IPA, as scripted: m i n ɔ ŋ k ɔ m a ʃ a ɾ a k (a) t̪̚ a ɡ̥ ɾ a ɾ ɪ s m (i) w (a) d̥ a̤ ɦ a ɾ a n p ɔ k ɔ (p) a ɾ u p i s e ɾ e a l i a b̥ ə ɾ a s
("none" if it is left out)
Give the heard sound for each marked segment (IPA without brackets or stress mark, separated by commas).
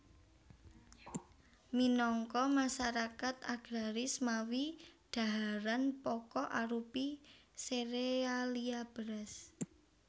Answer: a, a, i, ʔ